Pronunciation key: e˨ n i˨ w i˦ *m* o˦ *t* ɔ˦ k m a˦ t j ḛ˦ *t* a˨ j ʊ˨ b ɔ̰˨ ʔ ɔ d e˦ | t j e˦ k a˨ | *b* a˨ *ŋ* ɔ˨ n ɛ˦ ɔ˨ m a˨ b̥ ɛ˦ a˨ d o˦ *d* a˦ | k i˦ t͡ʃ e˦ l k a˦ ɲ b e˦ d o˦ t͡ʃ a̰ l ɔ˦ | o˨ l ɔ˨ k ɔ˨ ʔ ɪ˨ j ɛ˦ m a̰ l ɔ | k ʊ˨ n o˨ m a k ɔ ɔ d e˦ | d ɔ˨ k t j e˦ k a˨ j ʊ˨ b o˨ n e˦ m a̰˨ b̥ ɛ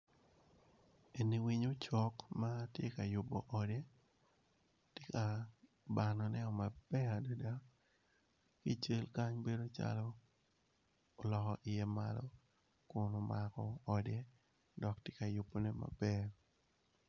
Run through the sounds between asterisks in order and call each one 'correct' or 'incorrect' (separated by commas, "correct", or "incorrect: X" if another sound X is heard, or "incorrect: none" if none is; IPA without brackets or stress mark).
incorrect: ɲ, incorrect: t͡ʃ, incorrect: k, correct, incorrect: n, correct